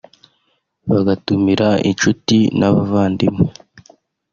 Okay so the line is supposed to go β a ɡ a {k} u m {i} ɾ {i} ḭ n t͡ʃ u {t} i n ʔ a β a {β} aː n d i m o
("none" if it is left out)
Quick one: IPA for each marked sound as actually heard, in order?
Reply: t, i, a, t, v

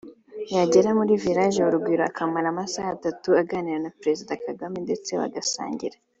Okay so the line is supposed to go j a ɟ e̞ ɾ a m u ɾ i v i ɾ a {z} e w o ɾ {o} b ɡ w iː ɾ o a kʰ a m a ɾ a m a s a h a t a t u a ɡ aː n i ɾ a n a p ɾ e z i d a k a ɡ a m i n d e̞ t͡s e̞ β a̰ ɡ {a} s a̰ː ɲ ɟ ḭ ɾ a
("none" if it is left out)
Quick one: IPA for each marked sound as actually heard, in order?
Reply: ʒ, u, a

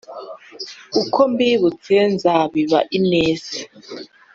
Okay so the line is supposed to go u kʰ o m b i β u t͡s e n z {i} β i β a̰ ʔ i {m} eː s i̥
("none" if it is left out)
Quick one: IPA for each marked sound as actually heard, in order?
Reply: a, n

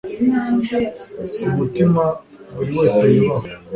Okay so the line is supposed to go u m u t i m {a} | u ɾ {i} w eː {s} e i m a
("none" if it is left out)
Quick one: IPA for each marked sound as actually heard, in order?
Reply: a, i, s

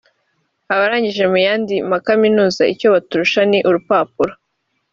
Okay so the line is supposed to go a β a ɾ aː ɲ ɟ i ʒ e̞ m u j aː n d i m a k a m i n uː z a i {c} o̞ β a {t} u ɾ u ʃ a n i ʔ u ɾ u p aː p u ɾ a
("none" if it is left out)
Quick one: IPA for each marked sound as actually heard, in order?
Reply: c, t

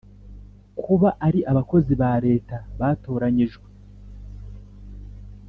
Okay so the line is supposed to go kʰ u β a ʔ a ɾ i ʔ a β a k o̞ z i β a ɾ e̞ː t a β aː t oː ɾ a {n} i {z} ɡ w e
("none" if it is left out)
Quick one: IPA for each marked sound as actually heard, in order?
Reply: ɲ, ʒ

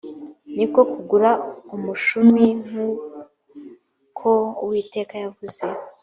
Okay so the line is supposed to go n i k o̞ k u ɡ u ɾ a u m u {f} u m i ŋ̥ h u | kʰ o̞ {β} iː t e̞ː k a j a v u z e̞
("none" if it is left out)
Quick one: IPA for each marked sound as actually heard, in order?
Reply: ʃ, w

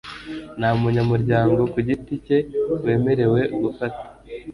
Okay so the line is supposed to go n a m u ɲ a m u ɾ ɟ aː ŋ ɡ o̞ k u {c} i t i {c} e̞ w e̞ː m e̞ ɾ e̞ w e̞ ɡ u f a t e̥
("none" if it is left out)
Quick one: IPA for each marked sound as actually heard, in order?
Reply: ɟ, c

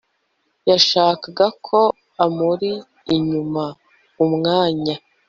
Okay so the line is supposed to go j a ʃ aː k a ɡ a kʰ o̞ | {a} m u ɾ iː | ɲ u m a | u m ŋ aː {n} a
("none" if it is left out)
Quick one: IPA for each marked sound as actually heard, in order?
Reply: a, ɲ

